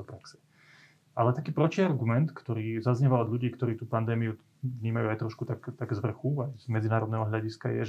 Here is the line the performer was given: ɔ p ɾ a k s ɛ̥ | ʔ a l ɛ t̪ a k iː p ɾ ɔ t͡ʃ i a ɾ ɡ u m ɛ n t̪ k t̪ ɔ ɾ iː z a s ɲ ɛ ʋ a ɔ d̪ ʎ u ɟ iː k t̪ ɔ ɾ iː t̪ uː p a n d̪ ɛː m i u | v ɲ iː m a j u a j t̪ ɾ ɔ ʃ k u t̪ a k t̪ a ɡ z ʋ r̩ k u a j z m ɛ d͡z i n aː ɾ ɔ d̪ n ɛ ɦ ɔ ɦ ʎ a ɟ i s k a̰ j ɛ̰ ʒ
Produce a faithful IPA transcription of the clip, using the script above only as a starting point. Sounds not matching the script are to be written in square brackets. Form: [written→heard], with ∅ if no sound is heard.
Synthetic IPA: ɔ p ɾ a k s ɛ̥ | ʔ a l ɛ t̪ a k iː p ɾ ɔ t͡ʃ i a ɾ ɡ u m ɛ n t̪ k t̪ ɔ ɾ iː z a [s→z] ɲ ɛ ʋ a ɔ d̪ ʎ u ɟ iː k t̪ ɔ ɾ iː t̪ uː p a n d̪ ɛː m i u | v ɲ iː m a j u a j t̪ ɾ ɔ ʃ k u t̪ a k t̪ a ɡ z ʋ r̩ [k→x] u a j z m ɛ d͡z i n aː ɾ ɔ d̪ n ɛ ɦ ɔ ɦ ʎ a ɟ i s k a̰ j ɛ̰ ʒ